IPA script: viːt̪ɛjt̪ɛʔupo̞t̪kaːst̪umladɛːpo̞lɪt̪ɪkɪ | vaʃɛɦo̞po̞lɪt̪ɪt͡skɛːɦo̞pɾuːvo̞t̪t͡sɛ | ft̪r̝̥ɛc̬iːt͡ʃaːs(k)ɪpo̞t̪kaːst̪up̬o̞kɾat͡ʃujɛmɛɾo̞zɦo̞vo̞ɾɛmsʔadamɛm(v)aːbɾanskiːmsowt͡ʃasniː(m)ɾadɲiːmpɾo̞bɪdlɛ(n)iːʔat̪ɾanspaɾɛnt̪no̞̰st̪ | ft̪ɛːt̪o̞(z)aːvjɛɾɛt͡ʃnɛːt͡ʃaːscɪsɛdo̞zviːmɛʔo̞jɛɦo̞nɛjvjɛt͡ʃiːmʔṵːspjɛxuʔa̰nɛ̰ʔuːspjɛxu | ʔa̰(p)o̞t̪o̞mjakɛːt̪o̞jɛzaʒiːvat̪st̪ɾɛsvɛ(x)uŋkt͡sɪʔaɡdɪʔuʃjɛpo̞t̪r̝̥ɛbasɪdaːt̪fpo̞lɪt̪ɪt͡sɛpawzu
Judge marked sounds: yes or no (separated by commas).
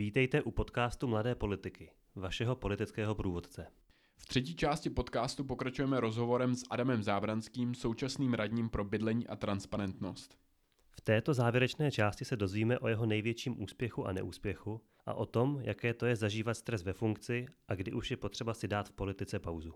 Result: no, no, yes, no, yes, no, no